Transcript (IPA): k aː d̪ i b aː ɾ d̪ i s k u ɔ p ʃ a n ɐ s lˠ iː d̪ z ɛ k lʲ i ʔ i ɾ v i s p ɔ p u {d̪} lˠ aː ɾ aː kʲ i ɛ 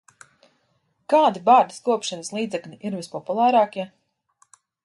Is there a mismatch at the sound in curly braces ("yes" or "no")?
yes